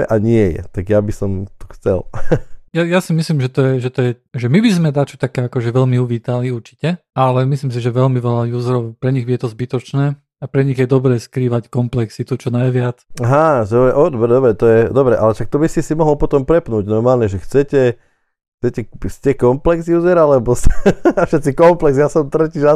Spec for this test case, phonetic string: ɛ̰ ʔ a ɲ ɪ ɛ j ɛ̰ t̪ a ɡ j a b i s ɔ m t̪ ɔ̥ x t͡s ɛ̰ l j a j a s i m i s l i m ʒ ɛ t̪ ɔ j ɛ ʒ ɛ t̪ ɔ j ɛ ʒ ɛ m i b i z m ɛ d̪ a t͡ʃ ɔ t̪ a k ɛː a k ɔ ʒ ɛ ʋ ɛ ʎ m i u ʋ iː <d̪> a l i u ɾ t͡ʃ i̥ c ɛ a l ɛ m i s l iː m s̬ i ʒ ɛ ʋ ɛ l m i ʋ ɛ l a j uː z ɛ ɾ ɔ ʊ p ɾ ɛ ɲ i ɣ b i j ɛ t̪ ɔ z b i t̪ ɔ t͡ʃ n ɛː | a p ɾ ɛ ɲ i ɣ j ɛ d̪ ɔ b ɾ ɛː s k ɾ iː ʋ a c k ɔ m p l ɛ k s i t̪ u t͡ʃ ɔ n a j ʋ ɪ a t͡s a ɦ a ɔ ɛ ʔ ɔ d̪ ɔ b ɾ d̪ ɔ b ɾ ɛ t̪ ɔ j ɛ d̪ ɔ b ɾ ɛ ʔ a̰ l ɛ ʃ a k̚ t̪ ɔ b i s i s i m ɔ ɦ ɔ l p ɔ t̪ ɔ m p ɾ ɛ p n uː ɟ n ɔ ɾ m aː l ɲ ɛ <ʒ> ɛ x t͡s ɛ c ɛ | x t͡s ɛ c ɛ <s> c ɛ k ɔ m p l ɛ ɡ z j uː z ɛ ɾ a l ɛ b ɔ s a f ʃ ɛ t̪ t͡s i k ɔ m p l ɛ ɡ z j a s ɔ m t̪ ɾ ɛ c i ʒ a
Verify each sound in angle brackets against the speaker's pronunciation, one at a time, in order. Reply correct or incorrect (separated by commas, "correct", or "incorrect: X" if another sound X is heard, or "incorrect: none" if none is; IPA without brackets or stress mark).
incorrect: t̪, correct, correct